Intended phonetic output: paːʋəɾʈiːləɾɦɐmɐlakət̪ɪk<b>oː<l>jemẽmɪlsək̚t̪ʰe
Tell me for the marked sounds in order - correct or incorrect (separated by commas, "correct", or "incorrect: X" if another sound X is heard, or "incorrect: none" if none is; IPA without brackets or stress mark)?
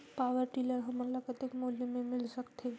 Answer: incorrect: m, correct